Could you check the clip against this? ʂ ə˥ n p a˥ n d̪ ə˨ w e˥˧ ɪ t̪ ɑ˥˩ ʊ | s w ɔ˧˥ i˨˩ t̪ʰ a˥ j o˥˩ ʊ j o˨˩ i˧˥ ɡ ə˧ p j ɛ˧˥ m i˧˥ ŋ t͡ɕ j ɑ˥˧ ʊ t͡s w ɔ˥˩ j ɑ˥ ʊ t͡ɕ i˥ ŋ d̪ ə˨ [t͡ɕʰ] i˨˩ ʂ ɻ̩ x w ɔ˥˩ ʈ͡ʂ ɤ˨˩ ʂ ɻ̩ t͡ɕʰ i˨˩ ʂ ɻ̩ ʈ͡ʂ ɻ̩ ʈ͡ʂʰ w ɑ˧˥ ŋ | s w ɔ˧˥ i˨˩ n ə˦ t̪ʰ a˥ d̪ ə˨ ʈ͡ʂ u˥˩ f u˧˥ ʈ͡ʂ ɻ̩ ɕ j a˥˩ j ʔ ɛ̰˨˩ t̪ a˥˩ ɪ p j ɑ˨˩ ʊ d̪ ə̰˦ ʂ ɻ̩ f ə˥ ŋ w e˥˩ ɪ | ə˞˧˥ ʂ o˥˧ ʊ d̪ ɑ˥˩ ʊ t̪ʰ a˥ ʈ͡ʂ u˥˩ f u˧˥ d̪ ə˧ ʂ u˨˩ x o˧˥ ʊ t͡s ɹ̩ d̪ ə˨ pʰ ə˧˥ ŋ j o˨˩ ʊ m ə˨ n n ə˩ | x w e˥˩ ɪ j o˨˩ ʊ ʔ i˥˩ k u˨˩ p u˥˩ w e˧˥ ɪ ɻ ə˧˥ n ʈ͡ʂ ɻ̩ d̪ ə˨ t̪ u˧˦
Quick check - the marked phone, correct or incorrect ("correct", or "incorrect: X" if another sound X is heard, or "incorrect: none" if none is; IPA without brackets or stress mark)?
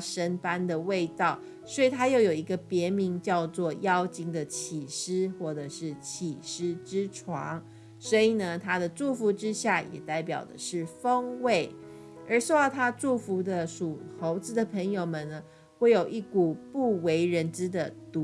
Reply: correct